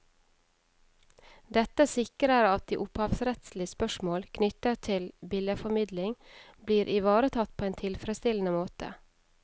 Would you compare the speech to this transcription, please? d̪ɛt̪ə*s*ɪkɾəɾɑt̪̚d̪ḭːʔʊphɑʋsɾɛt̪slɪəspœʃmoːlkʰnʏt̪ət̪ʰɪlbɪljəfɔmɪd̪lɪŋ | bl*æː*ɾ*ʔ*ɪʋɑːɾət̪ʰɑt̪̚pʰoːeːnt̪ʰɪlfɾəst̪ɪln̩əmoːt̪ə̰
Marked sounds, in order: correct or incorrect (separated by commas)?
correct, incorrect, correct